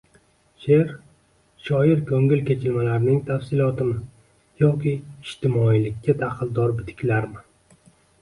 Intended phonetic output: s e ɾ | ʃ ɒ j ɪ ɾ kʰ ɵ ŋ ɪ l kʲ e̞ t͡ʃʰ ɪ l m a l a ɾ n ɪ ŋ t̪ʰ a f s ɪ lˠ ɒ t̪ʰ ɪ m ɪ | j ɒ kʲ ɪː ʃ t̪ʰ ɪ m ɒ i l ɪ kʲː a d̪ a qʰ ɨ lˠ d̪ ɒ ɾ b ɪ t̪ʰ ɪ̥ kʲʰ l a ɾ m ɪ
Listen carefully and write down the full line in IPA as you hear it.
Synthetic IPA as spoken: ʃ e ɾ | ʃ ɒ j ɪ ɾ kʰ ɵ ŋ ɪ l kʲ e̞ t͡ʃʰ ɪ l m a l a ɾ n ɪ ŋ t̪ʰ a f s ɪ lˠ ɒ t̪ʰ ɪ m ɪ | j ɒ kʲ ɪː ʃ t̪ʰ ɪ m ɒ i l ɪ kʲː a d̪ a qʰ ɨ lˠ d̪ ɒ ɾ b ɪ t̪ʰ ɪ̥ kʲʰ l a ɾ m ɪ